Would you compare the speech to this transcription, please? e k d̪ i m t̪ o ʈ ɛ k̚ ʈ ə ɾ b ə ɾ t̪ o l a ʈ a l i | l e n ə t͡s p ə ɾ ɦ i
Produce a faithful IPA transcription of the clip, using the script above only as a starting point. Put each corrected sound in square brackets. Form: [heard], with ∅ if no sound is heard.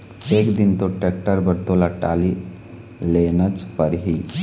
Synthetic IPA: e k d̪ i [n] t̪ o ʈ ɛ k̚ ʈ ə ɾ b ə ɾ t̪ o l a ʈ a l i | l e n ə t͡s p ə ɾ ɦ i

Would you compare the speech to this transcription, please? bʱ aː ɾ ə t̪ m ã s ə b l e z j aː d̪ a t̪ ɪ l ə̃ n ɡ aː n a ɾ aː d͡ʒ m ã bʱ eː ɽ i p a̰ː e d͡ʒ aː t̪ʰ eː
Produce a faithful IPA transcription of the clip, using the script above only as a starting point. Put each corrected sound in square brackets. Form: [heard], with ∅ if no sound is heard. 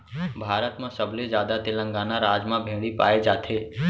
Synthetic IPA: bʱ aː ɾ ə t̪ m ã s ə b l e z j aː d̪ a t̪ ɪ l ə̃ [ŋ] ɡ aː n a ɾ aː d͡ʒ m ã bʱ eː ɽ i p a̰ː e d͡ʒ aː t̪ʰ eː

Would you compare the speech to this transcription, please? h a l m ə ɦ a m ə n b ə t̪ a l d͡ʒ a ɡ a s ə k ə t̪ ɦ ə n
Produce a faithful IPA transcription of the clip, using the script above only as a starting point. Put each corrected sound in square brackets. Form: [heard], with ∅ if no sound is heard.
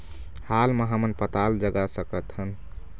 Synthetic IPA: h a l m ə ɦ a m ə n [p] ə t̪ a l d͡ʒ [ə] ɡ a s ə k ə t̪ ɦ ə n

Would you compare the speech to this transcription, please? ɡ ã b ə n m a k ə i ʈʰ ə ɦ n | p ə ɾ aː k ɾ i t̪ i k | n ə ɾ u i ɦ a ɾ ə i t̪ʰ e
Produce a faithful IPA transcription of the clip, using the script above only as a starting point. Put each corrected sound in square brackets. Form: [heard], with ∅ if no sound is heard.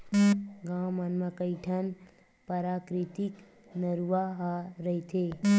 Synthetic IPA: ɡ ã [m] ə n m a k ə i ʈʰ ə [∅] n | p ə ɾ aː k ɾ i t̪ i k | n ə ɾ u [a] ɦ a ɾ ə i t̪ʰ e

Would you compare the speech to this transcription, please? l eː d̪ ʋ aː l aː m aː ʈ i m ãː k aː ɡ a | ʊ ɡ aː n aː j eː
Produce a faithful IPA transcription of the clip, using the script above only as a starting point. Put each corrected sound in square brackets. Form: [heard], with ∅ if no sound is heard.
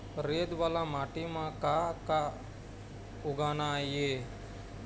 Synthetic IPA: [ɾ] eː d̪ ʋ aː l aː m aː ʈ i m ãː k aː [k] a | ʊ ɡ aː n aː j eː

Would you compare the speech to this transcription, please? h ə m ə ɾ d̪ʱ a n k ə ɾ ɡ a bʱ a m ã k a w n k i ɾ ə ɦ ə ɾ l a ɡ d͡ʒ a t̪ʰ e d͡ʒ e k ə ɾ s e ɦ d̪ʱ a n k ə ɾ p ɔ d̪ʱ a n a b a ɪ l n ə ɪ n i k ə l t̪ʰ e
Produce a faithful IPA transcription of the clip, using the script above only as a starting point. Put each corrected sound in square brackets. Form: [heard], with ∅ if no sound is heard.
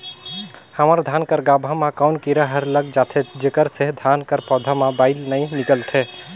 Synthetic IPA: h ə m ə ɾ d̪ʱ a n k ə ɾ ɡ a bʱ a m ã k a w n k i ɾ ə ɦ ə ɾ l [ə] ɡ d͡ʒ a t̪ʰ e d͡ʒ e k ə ɾ s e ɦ d̪ʱ a n k ə ɾ p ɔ d̪ʱ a [m] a b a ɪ l n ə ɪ n i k ə l t̪ʰ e

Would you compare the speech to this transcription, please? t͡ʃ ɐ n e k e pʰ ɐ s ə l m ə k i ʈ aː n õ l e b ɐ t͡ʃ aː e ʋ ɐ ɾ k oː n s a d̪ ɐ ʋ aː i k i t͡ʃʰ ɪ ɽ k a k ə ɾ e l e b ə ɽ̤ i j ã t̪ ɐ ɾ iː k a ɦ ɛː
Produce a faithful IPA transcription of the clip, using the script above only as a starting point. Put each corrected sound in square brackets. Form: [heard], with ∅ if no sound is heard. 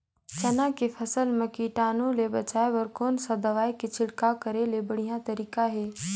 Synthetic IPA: t͡ʃ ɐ n [a] k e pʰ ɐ s ə l m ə k i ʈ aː n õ l e b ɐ t͡ʃ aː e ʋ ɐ ɾ k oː n s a d̪ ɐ ʋ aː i k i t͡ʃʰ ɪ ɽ k a k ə ɾ e l e b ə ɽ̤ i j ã t̪ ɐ ɾ iː k a ɦ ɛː

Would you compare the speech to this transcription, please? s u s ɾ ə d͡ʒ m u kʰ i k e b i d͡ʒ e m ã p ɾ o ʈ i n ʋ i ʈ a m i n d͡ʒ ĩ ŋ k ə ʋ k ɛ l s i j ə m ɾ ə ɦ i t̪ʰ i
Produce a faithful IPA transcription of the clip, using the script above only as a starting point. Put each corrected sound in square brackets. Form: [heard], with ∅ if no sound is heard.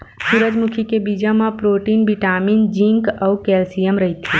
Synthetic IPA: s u [∅] ɾ ə d͡ʒ m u kʰ i k e b i d͡ʒ [a] m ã p ɾ o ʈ i n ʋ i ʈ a m i n d͡ʒ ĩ ŋ k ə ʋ k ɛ l s i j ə m ɾ ə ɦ i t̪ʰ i

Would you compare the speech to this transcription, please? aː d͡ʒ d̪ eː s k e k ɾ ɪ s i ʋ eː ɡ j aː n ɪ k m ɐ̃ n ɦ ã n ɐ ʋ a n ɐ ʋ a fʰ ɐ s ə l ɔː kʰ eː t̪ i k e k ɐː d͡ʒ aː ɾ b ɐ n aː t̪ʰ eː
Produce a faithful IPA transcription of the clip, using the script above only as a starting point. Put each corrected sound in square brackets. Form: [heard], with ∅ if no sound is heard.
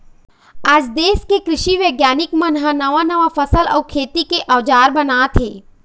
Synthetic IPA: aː d͡ʒ d̪ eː s k e k ɾ ɪ [ʃ] i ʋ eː ɡ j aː n ɪ k m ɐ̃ n ɦ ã n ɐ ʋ a n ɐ ʋ a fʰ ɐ s ə l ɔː kʰ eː t̪ i k e [ʔ] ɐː d͡ʒ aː ɾ b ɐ n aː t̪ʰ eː

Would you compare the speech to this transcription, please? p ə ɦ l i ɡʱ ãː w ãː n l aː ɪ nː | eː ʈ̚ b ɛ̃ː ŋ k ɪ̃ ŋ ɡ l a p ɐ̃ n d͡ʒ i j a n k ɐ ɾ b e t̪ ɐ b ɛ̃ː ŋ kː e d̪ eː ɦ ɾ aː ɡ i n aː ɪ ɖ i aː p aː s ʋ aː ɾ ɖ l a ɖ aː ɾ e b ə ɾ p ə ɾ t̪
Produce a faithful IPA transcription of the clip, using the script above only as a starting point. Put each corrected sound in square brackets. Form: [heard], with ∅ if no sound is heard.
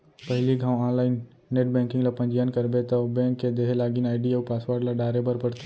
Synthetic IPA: p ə ɦ l i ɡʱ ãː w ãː n l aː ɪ nː | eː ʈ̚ b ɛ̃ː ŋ k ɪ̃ ŋ ɡ l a p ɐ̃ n d͡ʒ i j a n k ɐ ɾ b e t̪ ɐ b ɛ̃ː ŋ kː e d̪ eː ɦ [l] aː ɡ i n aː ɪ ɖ i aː p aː s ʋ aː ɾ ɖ l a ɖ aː ɾ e b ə ɾ p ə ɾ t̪

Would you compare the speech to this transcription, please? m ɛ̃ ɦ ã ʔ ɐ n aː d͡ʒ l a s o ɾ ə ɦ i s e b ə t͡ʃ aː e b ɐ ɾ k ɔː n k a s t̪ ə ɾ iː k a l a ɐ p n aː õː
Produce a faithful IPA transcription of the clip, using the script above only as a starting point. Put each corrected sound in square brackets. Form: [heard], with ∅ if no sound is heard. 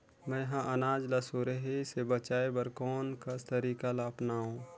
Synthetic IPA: m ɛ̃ ɦ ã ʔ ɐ n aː d͡ʒ l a s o ɾ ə ɦ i s e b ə t͡ʃ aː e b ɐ ɾ k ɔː n k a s t̪ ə ɾ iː k a l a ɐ p n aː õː

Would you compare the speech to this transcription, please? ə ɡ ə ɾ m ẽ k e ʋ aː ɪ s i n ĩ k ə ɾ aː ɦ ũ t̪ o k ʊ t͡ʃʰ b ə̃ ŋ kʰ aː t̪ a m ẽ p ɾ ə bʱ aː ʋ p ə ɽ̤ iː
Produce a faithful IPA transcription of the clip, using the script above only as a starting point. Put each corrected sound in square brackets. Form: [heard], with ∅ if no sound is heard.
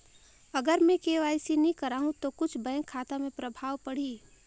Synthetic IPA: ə ɡ ə ɾ m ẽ k e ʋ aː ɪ s i n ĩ k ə ɾ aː ɦ ũ t̪ o k ʊ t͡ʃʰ b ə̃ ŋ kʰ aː t̪ a m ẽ p ɾ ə bʱ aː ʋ p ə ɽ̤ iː

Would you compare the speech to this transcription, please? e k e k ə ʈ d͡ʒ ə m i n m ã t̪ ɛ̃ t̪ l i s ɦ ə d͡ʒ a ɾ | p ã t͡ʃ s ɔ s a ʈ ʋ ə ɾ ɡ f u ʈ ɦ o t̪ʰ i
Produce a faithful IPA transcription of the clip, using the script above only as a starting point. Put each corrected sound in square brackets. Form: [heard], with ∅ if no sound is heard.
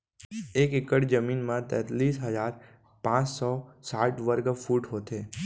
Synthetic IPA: e k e k ə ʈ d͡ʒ ə m i n m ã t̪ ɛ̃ t̪ l i s ɦ ə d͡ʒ a ɾ | p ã t͡ʃ s ɔ s a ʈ ʋ ə ɾ ɡ f u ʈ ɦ o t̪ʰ [e]

